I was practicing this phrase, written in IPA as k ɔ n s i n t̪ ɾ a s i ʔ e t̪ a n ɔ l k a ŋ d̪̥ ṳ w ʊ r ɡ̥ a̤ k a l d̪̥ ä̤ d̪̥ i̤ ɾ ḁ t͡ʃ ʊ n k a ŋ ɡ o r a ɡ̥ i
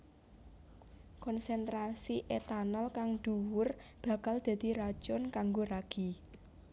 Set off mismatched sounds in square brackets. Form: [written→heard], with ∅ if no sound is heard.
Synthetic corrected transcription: k ɔ n s [i→ɛ] n t̪ ɾ a s i ʔ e t̪ a n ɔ l k a ŋ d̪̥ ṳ w ʊ r [ɡ̥→b̥] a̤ k a l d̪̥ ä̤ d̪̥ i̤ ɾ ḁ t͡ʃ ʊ n k a ŋ ɡ o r a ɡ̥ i